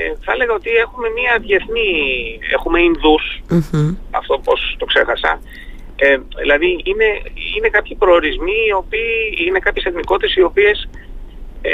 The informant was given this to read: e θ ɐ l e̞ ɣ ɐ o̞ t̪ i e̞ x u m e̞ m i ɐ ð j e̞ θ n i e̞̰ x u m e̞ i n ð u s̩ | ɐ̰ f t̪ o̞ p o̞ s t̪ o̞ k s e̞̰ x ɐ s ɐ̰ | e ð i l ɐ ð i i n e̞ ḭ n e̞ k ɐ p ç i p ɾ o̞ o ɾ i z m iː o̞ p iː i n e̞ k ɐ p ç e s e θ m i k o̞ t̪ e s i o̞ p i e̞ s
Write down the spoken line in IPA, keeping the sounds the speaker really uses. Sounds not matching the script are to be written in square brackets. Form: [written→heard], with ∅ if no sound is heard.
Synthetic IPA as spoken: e θ ɐ l e̞ ɣ ɐ o̞ t̪ i e̞ x u m e̞ m i ɐ ð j e̞ θ n i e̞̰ x u m e̞ i n ð u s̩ | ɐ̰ f t̪ o̞ p o̞ s t̪ o̞ k s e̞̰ x ɐ s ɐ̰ | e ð i l ɐ ð i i n e̞ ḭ n e̞ k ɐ p ç i p ɾ o̞ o ɾ i z m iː o̞ p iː i n e̞ k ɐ p ç e s e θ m i k o̞ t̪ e s i o̞ p i e̞ s